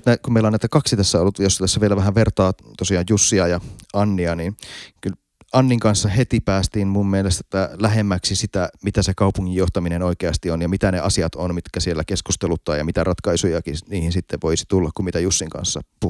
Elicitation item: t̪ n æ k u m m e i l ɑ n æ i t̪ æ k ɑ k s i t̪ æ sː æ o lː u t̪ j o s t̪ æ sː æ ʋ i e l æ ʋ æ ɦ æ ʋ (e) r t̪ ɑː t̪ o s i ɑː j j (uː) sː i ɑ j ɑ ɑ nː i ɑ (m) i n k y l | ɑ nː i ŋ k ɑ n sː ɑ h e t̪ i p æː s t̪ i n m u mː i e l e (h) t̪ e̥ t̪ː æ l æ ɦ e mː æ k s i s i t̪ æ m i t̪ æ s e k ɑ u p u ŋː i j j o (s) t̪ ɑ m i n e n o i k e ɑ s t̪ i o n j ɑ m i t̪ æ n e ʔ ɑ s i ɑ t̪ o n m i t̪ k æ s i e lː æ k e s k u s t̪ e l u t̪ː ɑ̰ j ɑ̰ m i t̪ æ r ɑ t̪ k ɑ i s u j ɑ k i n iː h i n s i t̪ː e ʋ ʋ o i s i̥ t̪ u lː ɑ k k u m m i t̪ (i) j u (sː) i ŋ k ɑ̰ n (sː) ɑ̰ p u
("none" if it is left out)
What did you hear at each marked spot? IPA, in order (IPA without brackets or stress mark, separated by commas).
e, u, n, s, h, æ, sː, sː